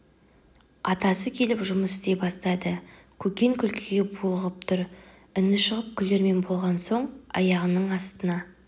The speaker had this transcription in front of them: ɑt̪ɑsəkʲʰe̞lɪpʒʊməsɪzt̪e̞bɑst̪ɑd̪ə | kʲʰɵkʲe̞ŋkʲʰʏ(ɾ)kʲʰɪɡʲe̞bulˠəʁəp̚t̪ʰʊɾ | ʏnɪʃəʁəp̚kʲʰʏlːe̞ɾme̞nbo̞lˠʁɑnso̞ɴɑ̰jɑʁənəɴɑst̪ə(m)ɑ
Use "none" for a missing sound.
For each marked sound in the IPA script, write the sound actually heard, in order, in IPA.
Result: l, n

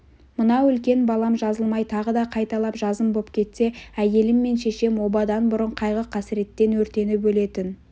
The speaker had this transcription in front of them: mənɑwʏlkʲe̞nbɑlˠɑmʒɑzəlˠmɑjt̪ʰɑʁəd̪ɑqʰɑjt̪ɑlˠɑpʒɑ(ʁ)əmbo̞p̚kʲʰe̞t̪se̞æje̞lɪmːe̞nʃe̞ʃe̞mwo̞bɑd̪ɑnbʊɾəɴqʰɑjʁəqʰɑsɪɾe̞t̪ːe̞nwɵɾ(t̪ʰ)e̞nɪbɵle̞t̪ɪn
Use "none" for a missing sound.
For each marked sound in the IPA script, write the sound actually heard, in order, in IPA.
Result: z, t̪

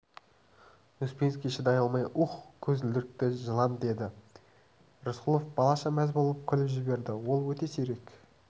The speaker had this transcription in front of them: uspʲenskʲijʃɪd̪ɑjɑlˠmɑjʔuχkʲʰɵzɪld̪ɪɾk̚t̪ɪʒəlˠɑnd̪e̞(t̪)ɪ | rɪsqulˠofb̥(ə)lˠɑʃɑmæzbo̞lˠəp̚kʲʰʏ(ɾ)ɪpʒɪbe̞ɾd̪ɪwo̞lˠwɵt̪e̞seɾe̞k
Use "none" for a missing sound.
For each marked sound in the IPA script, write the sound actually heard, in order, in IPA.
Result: d̪, ɑ, l

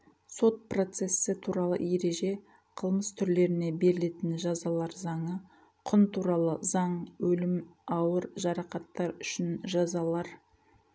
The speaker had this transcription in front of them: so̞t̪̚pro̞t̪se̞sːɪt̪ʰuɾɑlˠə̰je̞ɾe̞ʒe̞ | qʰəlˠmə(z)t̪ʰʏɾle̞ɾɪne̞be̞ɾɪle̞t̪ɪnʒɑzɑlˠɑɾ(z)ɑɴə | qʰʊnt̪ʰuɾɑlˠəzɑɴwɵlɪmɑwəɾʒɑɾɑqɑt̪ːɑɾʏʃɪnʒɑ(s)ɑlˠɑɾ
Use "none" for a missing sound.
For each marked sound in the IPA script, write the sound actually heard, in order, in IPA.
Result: s, z, z

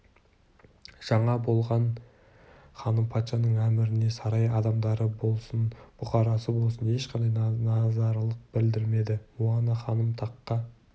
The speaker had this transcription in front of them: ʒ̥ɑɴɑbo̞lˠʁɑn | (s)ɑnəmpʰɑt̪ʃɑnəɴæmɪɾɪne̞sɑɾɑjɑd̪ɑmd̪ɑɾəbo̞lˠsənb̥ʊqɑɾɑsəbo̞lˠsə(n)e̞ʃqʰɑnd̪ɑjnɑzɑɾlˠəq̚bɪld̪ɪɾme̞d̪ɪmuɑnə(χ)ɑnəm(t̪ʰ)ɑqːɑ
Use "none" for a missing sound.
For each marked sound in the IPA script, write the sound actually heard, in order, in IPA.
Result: χ, n, χ, t̪ʰ

